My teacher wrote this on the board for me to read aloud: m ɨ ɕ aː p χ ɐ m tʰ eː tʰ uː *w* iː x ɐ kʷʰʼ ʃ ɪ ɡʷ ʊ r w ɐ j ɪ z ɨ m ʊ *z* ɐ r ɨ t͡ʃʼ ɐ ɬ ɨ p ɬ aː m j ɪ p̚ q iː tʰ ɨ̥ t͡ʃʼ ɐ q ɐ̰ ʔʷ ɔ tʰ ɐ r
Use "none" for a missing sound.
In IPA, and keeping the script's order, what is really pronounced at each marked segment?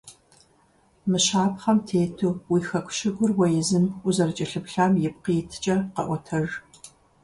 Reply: w, z

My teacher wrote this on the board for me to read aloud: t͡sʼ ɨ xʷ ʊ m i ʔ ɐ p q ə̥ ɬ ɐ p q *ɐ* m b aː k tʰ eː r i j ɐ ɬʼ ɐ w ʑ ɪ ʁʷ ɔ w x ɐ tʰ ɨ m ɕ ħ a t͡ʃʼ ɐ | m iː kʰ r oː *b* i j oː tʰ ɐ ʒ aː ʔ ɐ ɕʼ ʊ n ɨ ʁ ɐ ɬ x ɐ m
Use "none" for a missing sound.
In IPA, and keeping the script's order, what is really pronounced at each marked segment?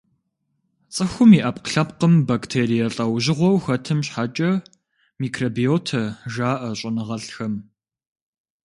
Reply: ə, b

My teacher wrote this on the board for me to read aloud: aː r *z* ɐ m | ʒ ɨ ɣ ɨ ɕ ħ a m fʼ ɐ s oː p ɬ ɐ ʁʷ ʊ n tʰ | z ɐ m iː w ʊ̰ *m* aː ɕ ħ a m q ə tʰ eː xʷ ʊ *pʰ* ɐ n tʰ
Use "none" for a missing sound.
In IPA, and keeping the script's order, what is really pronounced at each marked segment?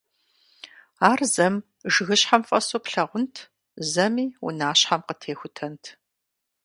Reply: z, n, tʰ

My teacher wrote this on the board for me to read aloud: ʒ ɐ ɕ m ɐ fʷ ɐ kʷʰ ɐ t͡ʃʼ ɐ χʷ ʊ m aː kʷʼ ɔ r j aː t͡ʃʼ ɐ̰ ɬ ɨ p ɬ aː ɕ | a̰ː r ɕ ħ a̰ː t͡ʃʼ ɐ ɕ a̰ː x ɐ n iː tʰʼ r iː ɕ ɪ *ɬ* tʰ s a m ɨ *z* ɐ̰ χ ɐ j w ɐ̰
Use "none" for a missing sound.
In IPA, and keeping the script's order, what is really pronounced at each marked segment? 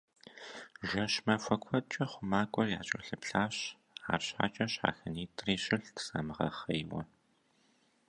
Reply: ɬ, ʁ

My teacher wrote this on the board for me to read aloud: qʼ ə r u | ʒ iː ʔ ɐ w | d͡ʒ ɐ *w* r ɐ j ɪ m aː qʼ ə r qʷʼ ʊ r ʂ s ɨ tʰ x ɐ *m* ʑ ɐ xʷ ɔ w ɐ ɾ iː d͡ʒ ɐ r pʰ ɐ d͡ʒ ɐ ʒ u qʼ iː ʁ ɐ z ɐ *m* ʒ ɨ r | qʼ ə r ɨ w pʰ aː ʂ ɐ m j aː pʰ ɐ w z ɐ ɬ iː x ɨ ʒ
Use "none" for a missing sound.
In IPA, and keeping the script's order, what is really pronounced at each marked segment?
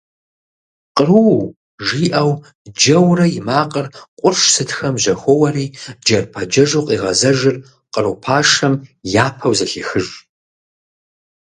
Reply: w, m, none

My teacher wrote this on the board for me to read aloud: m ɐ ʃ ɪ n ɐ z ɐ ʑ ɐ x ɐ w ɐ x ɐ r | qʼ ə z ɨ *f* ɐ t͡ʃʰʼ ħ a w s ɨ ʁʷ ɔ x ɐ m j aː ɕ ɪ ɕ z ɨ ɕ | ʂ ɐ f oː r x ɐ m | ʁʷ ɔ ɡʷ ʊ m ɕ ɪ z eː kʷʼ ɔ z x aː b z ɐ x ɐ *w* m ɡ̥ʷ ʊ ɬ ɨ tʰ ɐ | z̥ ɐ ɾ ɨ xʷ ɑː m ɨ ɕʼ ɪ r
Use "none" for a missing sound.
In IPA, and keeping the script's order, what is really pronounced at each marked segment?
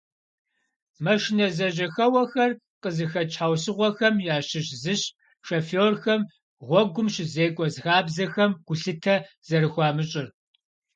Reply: x, none

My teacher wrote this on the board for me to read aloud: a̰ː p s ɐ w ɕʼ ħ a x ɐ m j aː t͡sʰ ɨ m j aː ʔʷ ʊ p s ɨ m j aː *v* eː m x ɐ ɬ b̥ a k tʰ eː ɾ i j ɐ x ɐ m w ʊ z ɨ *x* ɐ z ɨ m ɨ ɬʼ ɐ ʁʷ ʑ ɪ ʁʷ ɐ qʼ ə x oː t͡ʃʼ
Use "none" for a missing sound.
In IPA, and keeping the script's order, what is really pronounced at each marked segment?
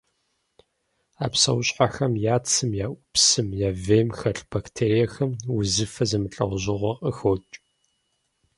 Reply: v, f

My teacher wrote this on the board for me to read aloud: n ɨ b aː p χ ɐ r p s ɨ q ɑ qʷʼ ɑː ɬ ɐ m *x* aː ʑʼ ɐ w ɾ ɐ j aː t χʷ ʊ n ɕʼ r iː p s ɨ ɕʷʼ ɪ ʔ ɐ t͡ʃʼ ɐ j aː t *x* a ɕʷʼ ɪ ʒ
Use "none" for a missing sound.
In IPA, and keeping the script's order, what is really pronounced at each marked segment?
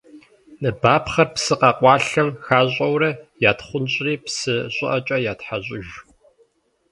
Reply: x, ħ

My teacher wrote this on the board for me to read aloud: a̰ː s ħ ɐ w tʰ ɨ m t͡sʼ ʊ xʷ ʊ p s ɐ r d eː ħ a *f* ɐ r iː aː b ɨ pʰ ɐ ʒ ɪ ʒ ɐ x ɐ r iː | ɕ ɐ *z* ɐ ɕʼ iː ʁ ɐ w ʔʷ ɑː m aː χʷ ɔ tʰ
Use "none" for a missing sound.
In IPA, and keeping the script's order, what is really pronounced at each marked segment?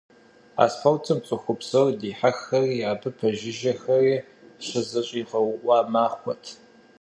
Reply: x, z

